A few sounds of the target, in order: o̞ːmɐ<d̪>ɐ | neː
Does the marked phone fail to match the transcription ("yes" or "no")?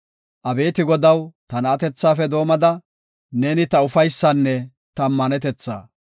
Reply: no